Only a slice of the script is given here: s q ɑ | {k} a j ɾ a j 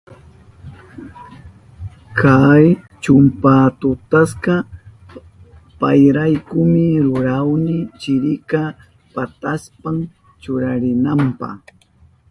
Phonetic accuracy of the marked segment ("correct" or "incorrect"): incorrect